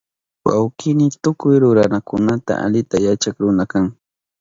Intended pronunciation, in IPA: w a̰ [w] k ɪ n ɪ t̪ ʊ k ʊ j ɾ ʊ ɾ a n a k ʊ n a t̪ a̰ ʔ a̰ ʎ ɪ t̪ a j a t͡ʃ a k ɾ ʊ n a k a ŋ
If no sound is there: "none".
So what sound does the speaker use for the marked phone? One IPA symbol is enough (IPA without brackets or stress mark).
w